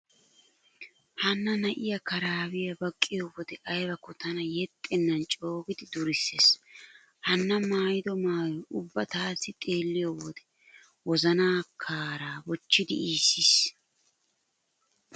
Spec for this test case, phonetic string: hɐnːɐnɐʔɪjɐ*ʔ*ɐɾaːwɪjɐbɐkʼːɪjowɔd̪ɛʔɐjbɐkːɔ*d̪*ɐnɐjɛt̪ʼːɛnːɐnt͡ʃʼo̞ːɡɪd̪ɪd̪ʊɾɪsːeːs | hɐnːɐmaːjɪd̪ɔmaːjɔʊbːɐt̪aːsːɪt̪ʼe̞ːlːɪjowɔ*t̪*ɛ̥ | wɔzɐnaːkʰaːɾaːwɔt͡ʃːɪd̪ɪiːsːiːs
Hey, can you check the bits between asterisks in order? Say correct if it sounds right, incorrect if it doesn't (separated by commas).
incorrect, incorrect, incorrect